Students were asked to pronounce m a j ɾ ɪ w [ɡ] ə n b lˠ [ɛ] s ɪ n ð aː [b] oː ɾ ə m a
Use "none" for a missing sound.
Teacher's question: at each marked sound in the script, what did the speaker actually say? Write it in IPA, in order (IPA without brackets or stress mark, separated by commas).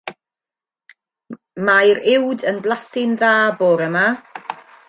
d, a, b